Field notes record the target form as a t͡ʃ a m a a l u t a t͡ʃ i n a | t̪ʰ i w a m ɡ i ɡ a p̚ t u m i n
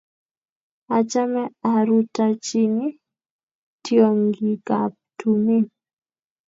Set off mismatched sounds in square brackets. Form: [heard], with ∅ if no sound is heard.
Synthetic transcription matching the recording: a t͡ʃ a m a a [ɾ] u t a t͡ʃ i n [i] | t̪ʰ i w a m ɡ i ɡ a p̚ t u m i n

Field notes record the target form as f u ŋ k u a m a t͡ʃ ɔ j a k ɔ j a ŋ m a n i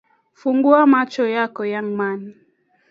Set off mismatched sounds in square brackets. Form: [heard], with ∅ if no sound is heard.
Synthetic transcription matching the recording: f u ŋ [ɡ] u a m a t͡ʃ ɔ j a k ɔ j a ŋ m a n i

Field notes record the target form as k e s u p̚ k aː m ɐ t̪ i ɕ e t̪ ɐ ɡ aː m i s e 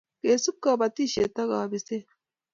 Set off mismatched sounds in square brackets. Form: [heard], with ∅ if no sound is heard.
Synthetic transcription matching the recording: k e s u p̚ k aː [b] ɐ t̪ i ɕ e t̪ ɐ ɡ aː [b] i s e

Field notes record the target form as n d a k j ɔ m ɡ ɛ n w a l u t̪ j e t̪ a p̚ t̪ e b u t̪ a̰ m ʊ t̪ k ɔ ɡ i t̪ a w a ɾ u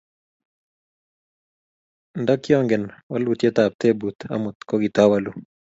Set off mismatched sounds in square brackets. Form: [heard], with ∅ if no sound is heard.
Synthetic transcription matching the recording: n d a k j ɔ [ŋ] ɡ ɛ n w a l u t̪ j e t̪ a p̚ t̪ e b u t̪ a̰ m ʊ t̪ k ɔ ɡ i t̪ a w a [l] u

